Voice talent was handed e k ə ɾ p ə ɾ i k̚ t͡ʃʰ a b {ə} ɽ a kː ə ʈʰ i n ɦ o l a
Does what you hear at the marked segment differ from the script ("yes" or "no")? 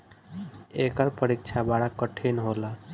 yes